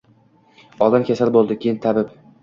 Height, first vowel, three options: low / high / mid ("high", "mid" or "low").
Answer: low